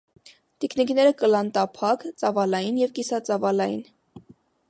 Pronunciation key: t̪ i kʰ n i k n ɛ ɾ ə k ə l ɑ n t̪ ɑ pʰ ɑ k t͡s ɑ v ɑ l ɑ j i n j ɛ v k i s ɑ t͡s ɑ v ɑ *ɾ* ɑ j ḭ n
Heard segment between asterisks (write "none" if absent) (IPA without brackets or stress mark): l